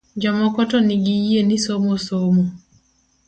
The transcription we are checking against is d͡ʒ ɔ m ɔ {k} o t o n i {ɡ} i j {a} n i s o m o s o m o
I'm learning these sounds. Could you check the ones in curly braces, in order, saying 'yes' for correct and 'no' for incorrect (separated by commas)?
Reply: yes, yes, no